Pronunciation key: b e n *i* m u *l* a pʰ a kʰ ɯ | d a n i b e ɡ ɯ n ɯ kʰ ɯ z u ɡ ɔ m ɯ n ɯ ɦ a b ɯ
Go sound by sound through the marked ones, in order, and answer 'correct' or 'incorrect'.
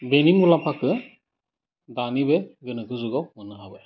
correct, correct

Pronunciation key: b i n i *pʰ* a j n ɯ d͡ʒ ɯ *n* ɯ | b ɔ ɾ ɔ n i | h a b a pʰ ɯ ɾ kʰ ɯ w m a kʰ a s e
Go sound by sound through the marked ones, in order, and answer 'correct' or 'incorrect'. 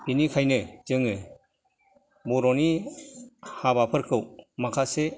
incorrect, incorrect

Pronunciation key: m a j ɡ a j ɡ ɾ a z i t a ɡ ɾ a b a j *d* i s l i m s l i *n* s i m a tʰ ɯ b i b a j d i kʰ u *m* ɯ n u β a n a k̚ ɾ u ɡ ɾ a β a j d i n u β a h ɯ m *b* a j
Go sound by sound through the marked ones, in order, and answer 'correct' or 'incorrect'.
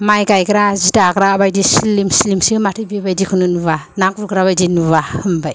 correct, incorrect, incorrect, correct

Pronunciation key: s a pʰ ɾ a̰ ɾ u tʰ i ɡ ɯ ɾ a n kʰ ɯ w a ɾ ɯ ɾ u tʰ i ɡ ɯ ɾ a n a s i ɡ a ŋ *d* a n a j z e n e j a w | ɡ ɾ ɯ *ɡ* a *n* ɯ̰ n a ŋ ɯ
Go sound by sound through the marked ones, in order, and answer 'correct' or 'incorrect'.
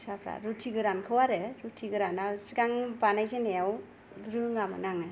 incorrect, incorrect, incorrect

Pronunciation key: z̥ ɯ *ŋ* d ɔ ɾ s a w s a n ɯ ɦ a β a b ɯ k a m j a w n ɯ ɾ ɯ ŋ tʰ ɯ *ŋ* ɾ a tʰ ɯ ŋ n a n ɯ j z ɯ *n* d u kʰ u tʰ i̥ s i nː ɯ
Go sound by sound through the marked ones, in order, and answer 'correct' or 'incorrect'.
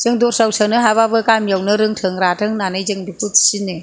correct, correct, incorrect

